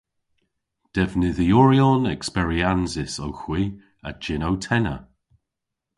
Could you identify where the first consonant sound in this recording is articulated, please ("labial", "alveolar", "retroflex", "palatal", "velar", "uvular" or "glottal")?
alveolar